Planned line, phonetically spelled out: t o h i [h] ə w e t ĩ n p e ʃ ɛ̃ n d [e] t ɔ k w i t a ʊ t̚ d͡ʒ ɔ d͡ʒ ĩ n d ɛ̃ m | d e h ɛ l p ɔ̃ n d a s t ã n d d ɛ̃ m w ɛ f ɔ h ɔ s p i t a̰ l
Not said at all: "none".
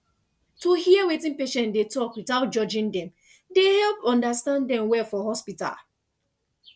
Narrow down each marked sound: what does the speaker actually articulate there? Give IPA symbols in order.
none, e

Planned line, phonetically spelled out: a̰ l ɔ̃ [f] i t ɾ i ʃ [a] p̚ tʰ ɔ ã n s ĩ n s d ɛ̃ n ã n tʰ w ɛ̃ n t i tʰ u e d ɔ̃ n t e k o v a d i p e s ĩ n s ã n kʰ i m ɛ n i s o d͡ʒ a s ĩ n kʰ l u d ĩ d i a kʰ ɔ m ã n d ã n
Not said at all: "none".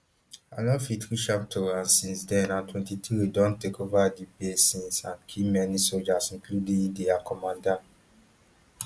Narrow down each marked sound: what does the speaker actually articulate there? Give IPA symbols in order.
f, a

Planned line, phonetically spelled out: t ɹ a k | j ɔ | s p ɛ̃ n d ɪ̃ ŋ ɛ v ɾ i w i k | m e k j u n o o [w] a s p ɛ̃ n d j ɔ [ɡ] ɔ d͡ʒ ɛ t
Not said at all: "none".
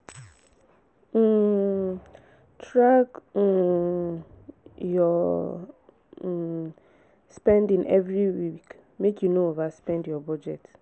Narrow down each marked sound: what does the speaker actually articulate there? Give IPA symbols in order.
v, b

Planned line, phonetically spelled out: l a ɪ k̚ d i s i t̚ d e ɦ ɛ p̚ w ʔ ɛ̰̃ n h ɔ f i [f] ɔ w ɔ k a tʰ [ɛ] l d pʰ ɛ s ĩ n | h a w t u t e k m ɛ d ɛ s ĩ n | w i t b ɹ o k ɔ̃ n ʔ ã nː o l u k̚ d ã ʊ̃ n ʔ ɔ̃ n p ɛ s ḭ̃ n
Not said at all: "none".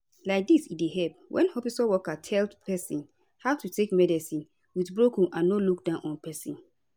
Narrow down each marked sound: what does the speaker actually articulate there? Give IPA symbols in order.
s, ɛ

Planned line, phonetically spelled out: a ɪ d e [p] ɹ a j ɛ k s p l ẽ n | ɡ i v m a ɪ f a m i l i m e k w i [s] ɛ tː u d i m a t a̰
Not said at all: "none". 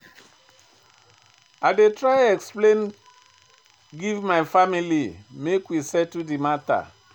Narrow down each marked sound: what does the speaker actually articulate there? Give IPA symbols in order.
t, s

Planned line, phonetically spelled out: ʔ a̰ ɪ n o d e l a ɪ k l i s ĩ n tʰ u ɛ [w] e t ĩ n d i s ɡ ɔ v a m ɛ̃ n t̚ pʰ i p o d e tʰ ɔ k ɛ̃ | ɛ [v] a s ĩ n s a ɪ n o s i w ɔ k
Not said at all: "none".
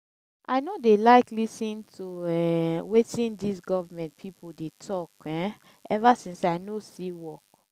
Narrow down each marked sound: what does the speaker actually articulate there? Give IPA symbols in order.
w, v

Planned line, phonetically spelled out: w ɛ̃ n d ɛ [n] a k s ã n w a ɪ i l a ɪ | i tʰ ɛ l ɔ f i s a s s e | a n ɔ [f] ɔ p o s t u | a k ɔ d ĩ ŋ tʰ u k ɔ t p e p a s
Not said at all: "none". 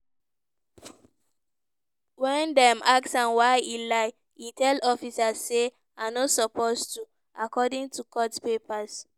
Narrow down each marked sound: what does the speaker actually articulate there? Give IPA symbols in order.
m, s

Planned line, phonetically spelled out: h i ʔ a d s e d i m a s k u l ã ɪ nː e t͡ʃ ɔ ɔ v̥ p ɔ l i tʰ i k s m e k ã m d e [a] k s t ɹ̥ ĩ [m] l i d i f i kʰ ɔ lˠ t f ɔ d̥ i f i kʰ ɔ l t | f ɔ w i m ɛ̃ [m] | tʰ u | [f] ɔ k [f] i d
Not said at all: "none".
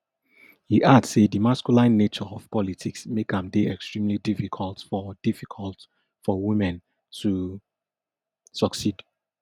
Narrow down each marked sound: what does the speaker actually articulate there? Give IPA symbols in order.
ɛ, m, n, s, s

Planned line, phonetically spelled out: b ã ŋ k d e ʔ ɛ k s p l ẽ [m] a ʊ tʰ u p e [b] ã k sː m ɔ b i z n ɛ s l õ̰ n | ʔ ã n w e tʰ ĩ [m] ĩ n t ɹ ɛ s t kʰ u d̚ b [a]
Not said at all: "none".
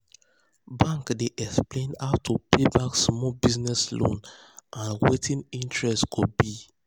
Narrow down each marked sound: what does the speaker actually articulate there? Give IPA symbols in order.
n, b, n, i

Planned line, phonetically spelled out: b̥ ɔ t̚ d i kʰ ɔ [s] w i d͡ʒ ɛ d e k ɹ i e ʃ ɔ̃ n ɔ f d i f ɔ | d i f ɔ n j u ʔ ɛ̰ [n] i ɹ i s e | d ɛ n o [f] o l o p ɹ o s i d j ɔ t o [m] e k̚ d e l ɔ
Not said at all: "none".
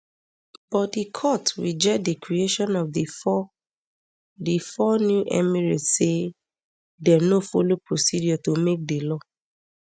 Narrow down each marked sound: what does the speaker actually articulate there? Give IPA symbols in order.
t, m, f, m

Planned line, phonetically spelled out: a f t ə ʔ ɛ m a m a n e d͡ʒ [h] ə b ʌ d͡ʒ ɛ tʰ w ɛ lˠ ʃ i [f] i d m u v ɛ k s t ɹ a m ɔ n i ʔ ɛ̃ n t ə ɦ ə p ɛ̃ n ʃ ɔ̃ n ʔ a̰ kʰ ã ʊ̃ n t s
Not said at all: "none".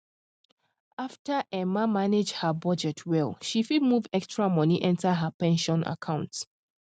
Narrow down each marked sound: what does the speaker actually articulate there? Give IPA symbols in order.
h, f

